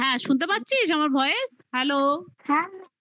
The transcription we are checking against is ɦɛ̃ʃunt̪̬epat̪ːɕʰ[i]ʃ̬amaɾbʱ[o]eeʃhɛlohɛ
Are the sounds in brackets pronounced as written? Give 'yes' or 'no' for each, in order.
yes, no

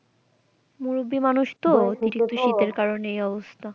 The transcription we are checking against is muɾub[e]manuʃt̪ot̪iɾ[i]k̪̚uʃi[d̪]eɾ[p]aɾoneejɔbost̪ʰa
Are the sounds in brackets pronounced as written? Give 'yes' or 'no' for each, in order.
no, yes, no, no

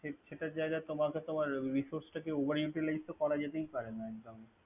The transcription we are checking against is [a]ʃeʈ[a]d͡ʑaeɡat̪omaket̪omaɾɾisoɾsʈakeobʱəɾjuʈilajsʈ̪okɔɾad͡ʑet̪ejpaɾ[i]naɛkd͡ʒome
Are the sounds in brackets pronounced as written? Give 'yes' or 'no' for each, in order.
no, yes, no

